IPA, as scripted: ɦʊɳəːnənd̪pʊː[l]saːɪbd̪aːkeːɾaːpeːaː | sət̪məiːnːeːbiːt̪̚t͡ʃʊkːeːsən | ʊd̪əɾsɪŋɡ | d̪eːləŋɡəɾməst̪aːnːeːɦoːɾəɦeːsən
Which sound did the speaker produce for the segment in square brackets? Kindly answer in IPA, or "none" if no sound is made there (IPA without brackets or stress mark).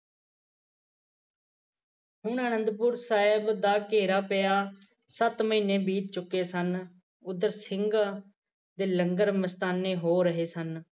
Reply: ɾ